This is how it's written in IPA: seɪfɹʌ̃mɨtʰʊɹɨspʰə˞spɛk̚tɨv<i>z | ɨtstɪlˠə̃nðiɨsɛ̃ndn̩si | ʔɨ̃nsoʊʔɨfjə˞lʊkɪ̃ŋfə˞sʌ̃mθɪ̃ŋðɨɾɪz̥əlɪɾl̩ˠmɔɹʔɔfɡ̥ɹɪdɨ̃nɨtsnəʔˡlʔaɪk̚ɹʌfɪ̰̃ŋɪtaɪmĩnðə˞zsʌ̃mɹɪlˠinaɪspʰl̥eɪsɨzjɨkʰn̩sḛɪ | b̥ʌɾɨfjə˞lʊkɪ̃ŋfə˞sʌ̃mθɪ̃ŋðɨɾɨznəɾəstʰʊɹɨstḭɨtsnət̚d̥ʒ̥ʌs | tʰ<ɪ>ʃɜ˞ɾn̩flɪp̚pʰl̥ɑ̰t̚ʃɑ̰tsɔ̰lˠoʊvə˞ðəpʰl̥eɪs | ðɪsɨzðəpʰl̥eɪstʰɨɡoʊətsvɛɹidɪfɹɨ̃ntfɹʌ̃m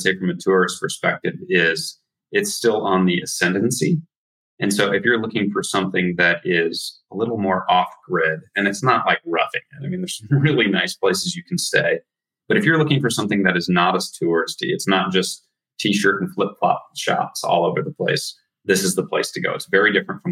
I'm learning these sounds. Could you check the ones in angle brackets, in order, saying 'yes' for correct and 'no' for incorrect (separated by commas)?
no, no